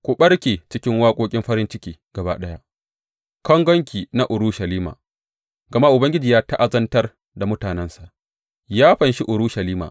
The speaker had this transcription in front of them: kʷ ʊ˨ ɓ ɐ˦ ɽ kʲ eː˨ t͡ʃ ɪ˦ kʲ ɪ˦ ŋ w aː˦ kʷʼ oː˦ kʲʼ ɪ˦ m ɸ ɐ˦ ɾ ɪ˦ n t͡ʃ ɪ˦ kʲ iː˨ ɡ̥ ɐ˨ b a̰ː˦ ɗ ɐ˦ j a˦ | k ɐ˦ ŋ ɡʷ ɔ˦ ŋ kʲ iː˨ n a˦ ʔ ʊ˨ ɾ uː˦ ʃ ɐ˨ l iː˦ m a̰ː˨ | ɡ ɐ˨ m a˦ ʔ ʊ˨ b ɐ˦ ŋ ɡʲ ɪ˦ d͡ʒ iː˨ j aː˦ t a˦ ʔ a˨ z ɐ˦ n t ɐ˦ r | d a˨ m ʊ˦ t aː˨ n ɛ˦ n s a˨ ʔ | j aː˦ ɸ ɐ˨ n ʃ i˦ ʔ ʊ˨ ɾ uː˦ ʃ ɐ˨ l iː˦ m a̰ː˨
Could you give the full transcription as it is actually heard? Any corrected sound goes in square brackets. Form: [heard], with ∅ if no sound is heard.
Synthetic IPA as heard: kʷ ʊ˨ ɓ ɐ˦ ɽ kʲ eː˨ t͡ʃ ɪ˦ kʲ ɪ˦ ŋ w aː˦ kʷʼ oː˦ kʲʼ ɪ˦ m ɸ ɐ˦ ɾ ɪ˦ n t͡ʃ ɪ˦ kʲ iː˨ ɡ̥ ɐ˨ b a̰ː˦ ɗ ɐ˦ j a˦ | k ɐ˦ ŋ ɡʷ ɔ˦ ŋ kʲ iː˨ n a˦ ʔ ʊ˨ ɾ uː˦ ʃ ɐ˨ l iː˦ m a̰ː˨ | ɡ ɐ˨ m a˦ ʔ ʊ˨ b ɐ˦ ŋ ɡʲ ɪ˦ d͡ʒ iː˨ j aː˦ t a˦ ʔ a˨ z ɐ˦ n t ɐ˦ r | d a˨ m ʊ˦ t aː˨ n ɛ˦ n s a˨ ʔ | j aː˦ ɸ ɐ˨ n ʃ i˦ ʔ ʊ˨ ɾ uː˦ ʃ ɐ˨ l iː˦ m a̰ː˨